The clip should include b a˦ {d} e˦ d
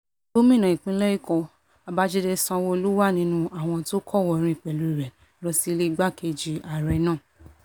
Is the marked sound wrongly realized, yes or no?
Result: yes